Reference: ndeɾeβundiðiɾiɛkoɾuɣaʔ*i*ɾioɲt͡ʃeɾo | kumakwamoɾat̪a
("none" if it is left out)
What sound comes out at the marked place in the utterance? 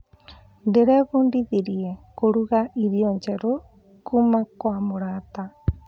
i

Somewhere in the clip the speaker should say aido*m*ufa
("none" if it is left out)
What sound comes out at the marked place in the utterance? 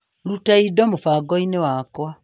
m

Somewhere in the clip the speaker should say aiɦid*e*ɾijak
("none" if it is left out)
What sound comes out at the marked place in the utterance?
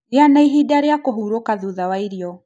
a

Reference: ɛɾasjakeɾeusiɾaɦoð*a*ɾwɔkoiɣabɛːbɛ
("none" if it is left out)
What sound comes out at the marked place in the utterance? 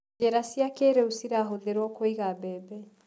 e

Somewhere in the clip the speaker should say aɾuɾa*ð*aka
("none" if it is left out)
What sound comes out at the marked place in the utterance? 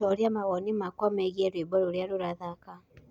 ð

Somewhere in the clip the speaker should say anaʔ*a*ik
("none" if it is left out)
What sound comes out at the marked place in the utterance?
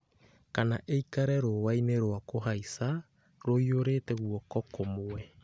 e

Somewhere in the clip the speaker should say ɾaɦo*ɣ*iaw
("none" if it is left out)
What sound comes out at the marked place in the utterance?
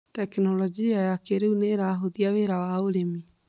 ð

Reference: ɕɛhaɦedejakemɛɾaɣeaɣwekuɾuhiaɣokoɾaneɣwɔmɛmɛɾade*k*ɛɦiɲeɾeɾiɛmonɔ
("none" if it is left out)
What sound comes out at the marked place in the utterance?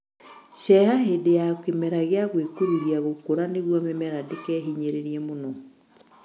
k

